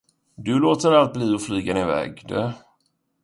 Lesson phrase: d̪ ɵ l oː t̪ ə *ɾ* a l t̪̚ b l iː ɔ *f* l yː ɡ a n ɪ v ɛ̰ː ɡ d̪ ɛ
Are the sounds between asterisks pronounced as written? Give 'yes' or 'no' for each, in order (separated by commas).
yes, yes